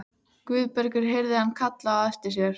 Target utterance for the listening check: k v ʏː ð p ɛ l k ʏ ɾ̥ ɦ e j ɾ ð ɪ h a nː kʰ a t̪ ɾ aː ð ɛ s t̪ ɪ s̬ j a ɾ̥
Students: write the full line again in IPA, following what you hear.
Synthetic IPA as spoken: k v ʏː ð p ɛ ɾ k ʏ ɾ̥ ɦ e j ɾ ð ɪ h a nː kʰ a t̪ l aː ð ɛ s t̪ ɪ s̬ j ɛ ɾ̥